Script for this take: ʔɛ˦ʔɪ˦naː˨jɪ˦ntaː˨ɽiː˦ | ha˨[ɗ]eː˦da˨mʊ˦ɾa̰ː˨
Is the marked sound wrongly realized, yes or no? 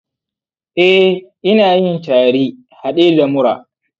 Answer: no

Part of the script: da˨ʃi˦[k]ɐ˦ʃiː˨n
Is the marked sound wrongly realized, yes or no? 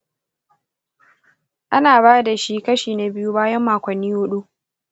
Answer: no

